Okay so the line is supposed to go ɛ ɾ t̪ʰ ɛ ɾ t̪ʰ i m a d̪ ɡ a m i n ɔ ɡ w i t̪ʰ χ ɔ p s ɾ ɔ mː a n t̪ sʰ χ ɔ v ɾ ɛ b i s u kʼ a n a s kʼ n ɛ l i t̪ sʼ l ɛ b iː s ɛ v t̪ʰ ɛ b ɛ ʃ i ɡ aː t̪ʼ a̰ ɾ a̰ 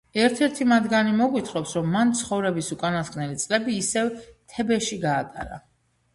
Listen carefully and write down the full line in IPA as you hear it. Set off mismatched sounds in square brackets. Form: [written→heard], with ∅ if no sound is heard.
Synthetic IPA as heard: ɛ ɾ t̪ʰ ɛ ɾ t̪ʰ i m a d̪ ɡ a [m→n] i [n→m] ɔ ɡ w i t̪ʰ χ ɔ p s ɾ ɔ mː a n t̪ sʰ χ ɔ v ɾ ɛ b i s u kʼ a n a s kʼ n ɛ l i t̪ sʼ l ɛ b iː s ɛ v t̪ʰ ɛ b ɛ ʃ i ɡ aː t̪ʼ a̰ ɾ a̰